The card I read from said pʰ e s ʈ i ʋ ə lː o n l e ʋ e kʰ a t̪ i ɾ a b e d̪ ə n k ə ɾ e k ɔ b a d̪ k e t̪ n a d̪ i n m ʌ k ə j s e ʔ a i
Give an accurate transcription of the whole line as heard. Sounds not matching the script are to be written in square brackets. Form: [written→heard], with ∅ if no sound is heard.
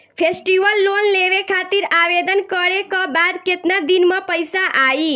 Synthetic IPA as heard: pʰ e s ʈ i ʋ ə lː o n l e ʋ e kʰ a t̪ i ɾ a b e d̪ ə n k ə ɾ e k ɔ b a d̪ k e t̪ n a d̪ i n m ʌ [k→p] ə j s [e→a] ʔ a i

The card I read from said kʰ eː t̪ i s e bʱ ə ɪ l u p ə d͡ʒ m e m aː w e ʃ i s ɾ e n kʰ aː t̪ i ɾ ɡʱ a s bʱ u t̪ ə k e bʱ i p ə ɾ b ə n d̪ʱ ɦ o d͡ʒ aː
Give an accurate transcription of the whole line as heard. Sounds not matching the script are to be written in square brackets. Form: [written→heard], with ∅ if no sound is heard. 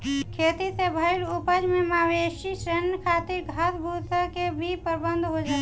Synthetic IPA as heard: kʰ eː t̪ i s e bʱ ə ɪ l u p ə d͡ʒ m e m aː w e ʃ i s ɾ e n kʰ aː t̪ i ɾ ɡʱ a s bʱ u t̪ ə k e bʱ i p ə ɾ b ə n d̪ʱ ɦ o d͡ʒ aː

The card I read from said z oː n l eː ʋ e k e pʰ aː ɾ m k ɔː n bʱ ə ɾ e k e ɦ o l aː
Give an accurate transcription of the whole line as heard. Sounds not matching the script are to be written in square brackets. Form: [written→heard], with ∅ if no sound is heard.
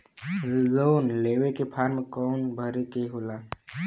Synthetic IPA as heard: z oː n l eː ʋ e k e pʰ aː ɾ m k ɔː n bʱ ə ɾ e k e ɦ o l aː

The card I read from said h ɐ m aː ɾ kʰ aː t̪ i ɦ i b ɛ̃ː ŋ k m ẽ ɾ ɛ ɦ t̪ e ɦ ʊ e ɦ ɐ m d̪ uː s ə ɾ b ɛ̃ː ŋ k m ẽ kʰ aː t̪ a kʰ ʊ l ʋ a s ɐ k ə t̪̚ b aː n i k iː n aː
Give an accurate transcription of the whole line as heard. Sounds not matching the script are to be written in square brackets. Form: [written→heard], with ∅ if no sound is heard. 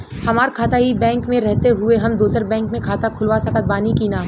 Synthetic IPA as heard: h ɐ m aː ɾ kʰ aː t̪ [i→a] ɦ i b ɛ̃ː ŋ k m ẽ ɾ ɛ ɦ t̪ e ɦ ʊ e ɦ ɐ m d̪ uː s ə ɾ b ɛ̃ː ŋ k m ẽ kʰ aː t̪ a kʰ ʊ l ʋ a s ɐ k ə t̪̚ b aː n i k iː n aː

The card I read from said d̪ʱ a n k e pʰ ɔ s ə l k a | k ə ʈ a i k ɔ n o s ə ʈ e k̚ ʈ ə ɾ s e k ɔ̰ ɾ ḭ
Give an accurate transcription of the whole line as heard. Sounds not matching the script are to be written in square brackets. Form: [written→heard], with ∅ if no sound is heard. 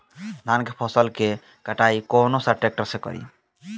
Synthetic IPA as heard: d̪ʱ a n k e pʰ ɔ s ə l k [a→e] | k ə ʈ a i k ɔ n o s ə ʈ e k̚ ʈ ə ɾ s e k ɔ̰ ɾ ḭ

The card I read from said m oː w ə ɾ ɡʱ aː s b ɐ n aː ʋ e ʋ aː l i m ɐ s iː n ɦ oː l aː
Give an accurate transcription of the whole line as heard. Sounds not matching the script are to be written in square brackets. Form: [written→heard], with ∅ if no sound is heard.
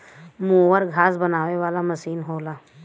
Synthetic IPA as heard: m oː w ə ɾ ɡʱ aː s b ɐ n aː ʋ e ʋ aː l [i→a] m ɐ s iː n ɦ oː l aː

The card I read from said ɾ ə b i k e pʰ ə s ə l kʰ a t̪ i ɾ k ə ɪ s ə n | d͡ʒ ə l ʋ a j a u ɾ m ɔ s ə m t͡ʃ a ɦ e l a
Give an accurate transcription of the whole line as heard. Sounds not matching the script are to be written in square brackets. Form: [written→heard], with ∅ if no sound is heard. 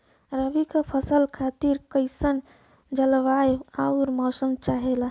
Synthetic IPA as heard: ɾ ə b i k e pʰ ə s ə l kʰ a t̪ i ɾ k ə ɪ s ə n | d͡ʒ ə l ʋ a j a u ɾ m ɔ s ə m t͡ʃ a ɦ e l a

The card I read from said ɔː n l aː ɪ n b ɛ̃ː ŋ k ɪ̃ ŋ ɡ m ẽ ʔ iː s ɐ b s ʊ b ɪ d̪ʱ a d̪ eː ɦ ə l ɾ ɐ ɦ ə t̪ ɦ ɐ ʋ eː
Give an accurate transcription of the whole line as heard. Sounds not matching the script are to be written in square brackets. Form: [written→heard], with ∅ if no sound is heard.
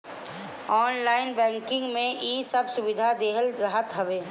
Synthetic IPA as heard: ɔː n l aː ɪ n b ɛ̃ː ŋ k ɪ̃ ŋ ɡ m ẽ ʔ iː s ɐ b s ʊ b ɪ d̪ʱ a d̪ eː ɦ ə l ɾ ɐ ɦ ə t̪ ɦ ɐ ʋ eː

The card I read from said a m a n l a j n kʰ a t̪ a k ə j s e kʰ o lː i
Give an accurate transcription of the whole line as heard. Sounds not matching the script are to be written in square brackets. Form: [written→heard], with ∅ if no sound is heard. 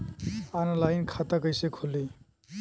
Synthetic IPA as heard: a [m→n] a [n→∅] l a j n kʰ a t̪ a k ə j s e kʰ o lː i

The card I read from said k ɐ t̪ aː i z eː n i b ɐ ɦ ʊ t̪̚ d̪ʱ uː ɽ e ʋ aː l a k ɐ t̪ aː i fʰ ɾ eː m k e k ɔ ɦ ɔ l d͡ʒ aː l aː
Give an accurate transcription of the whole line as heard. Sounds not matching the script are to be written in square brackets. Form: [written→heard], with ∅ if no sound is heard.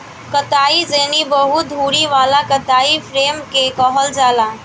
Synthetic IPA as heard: k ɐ t̪ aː i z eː n i b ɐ ɦ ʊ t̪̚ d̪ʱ uː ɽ [e→i] ʋ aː l a k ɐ t̪ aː i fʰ ɾ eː m k e k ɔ ɦ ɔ l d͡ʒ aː l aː

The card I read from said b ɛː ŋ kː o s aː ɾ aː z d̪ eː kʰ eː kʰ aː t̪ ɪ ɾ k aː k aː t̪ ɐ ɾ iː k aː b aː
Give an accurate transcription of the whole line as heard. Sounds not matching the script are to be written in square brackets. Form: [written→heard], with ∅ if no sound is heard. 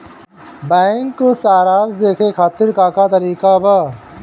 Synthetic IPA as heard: b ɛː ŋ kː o s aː ɾ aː z d̪ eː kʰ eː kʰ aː t̪ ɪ ɾ k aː k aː t̪ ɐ ɾ iː k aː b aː

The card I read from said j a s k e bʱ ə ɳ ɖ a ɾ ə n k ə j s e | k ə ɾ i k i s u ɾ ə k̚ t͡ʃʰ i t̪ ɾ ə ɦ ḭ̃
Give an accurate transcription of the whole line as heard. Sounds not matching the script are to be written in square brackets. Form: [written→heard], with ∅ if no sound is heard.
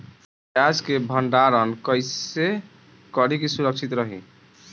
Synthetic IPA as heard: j a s k e bʱ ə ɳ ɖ a ɾ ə n k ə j s e | k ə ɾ i k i s u ɾ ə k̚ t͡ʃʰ i t̪ ɾ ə ɦ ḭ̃

